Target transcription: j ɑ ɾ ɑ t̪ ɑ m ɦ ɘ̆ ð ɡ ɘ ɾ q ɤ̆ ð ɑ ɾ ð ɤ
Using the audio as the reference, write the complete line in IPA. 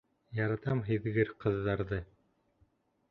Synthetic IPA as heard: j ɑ ɾ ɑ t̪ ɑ m ɦ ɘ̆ ð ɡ ɘ ɾ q ɤ̆ ðː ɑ ɾ ð ɤ